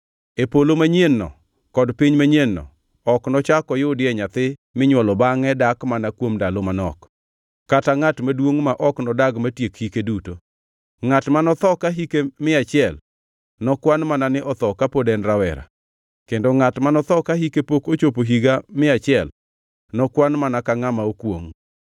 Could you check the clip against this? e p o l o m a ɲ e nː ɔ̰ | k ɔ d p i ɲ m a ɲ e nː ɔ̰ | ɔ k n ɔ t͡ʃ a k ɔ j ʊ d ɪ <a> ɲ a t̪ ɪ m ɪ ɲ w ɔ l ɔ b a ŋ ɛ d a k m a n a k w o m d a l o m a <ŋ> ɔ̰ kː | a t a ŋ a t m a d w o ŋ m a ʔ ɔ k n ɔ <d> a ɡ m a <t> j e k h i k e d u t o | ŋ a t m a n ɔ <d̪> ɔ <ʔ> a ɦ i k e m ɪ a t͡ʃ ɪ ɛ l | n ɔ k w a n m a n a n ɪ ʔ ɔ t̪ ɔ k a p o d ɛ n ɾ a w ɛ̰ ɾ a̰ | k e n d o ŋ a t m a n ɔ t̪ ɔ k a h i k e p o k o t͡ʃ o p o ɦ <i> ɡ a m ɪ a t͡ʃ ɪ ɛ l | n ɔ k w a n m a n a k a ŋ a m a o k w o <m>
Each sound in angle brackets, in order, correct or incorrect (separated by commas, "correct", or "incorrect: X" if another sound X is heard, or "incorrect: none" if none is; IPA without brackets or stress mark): incorrect: ɛ, incorrect: n, correct, correct, incorrect: t̪, incorrect: k, correct, incorrect: ŋ